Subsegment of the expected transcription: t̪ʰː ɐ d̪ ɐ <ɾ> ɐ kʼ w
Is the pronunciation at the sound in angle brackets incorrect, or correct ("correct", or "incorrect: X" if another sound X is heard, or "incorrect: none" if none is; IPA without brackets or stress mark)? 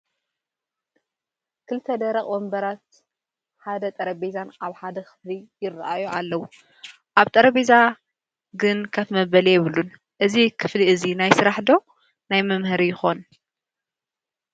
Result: correct